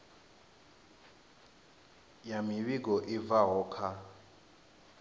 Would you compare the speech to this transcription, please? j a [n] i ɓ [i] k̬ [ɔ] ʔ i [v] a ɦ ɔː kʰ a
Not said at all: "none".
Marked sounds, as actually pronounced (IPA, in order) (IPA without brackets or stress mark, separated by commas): m, i, ɔ, v